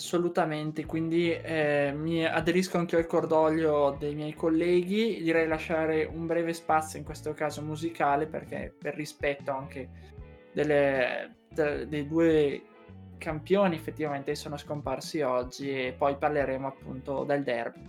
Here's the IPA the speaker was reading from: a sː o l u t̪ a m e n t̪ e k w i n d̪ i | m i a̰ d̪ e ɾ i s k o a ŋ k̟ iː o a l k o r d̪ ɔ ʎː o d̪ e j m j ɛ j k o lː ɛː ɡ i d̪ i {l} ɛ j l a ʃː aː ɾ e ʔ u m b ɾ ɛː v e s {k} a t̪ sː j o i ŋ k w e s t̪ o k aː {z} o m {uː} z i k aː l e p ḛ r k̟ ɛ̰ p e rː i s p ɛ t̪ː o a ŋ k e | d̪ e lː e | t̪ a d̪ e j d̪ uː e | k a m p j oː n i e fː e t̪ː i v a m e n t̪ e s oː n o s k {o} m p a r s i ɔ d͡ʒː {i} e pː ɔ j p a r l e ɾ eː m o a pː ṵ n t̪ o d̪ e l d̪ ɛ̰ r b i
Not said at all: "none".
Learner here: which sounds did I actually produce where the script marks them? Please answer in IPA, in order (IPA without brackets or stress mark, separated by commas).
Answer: ɾ, p, z, u, o, i